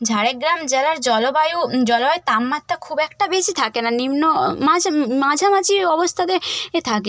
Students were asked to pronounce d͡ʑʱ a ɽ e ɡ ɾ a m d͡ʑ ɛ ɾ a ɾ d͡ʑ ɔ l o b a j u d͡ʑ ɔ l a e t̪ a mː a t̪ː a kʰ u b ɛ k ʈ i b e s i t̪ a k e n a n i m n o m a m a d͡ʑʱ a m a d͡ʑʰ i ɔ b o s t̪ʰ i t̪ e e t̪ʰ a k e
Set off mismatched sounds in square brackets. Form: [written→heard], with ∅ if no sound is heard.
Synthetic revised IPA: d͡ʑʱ a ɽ e ɡ ɾ a m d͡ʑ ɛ [ɾ→l] a ɾ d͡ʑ ɔ l o b a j u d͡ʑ ɔ l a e t̪ a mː a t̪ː a kʰ u b ɛ k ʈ [i→a] b e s i [t̪→t̪ʰ] a k e n a n i m n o m a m a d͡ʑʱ a m a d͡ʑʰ i ɔ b o s t̪ʰ [i→a] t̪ e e t̪ʰ a k e